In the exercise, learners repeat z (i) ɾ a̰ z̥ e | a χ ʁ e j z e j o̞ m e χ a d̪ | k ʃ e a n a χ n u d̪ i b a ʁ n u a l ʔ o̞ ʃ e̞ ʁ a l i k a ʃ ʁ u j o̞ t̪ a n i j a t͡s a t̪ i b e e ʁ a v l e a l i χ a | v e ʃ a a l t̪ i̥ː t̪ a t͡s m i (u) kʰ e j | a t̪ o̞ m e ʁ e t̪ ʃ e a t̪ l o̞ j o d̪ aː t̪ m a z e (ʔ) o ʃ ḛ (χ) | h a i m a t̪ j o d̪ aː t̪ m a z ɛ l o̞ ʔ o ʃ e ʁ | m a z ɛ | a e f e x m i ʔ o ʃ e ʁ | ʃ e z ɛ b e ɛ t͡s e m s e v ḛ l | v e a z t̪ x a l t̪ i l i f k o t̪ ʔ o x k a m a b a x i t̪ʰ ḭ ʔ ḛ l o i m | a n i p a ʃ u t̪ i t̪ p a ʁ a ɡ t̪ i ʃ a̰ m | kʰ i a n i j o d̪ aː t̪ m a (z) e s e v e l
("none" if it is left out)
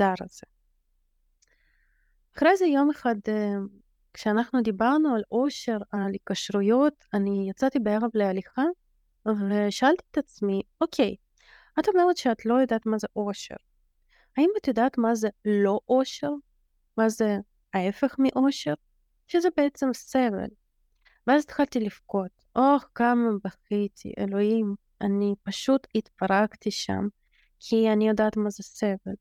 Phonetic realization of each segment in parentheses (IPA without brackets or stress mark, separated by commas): a, o, ʔ, ʁ, z